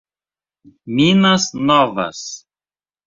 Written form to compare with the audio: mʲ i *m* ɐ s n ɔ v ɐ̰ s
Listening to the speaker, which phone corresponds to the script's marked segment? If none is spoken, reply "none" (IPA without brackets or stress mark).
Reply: n